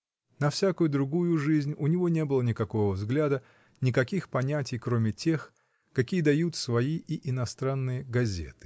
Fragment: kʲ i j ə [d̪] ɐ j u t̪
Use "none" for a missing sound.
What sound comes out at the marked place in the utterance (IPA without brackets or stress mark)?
d̪